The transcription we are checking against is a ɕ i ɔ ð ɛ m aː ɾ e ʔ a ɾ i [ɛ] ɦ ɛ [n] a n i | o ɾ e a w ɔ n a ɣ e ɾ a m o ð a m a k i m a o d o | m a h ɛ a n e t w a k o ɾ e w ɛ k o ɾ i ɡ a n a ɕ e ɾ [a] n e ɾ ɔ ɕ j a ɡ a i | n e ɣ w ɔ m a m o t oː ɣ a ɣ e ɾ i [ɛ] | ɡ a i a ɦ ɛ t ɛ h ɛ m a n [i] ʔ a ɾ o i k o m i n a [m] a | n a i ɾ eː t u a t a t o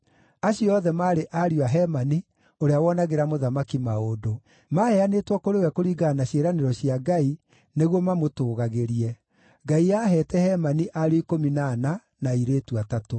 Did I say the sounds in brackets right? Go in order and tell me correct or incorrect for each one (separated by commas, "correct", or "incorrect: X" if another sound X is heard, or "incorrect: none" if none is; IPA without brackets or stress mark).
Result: incorrect: a, incorrect: m, correct, correct, correct, incorrect: n